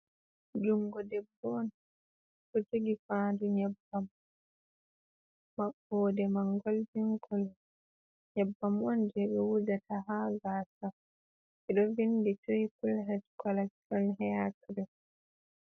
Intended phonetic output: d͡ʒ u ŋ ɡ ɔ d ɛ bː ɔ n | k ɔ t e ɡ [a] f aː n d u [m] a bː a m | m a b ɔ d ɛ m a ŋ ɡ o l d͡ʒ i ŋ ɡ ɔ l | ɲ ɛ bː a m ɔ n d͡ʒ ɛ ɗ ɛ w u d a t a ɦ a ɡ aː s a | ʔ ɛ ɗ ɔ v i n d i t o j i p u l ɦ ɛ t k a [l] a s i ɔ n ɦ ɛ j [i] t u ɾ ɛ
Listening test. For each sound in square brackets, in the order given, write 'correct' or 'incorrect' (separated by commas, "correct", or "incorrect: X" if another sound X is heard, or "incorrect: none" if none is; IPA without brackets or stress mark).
incorrect: i, incorrect: ɲ, correct, incorrect: a